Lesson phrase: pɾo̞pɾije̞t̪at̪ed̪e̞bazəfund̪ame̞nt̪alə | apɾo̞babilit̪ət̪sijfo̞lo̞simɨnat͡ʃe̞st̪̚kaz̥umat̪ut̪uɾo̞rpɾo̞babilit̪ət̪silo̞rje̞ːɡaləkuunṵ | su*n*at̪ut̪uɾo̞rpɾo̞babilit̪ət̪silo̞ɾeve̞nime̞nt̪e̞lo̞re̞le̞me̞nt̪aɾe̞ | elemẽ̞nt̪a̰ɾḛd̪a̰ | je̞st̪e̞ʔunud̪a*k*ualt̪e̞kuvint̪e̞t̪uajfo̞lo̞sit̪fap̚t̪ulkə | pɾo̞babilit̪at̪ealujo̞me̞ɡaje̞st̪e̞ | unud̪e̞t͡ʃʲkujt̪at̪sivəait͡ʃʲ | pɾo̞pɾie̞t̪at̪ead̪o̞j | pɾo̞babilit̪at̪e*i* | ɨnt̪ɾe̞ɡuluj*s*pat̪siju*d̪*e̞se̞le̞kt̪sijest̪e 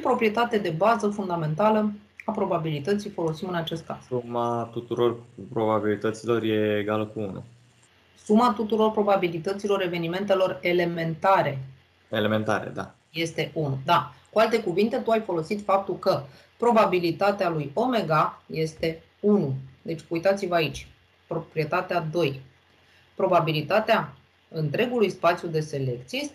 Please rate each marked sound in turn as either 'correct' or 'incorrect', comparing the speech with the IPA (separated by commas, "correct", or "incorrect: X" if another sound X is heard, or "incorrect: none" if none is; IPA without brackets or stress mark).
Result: incorrect: m, correct, incorrect: a, correct, correct